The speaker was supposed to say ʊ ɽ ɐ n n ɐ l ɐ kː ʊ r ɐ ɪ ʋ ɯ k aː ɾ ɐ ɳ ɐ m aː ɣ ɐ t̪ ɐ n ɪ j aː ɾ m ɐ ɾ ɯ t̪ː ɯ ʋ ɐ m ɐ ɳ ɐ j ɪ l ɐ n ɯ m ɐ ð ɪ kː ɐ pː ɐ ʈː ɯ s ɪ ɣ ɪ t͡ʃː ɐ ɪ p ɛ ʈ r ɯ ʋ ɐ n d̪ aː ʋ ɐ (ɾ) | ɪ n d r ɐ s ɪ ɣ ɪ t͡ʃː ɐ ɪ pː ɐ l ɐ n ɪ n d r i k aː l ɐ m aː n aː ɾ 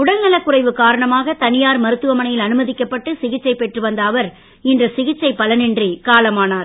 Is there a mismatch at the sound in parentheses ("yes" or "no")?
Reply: no